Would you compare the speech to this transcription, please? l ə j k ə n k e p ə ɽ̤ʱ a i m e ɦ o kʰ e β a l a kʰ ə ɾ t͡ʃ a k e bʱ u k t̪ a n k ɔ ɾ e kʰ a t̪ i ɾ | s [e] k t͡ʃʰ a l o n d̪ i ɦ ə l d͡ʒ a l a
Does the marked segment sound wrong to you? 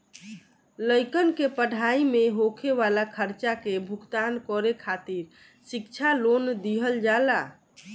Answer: yes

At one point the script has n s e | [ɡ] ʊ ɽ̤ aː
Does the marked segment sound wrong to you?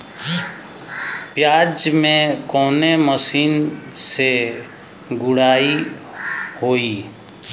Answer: no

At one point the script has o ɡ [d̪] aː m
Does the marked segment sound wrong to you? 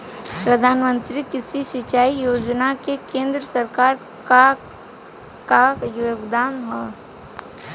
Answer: no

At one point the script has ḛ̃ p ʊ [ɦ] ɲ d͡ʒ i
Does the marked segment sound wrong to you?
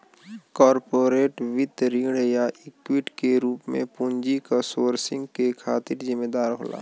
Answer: yes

